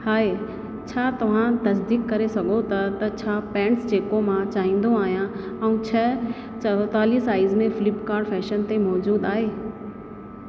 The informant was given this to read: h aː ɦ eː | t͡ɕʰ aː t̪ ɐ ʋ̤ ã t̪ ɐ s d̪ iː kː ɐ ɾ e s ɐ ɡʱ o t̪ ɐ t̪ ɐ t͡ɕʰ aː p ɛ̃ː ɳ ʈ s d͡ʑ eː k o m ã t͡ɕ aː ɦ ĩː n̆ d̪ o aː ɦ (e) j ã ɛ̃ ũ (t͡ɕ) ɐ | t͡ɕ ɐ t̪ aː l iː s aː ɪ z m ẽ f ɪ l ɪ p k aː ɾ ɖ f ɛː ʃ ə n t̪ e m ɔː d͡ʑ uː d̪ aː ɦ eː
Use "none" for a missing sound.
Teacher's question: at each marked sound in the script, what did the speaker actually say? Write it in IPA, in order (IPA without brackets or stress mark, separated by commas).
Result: i, t͡ɕʰ